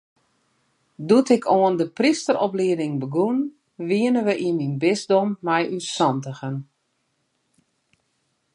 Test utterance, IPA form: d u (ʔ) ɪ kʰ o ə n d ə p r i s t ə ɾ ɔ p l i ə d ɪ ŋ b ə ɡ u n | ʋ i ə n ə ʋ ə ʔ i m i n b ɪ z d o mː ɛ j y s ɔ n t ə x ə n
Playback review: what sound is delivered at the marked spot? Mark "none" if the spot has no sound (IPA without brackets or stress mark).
t